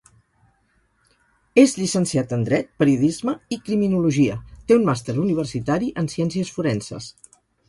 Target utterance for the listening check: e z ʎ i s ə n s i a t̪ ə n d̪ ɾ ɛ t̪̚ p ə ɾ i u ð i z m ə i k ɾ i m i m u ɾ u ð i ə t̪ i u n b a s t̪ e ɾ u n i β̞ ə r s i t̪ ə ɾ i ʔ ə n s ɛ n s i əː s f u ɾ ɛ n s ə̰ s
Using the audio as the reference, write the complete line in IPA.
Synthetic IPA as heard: e z ʎ i s ə n s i a t̪ ə n d̪ ɾ ɛ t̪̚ p ə ɾ i u ð i z m ə i k ɾ i m i n u l u ʒ i ə t̪ e u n m a s t̪ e ɾ u n i β̞ ə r s i t̪ a ɾ i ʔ ə n s ɛ n s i ə s f u ɾ ɛ n s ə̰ s